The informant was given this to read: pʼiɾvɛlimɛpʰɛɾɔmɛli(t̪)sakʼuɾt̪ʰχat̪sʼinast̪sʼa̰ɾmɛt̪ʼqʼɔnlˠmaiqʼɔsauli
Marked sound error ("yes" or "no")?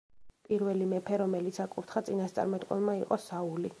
no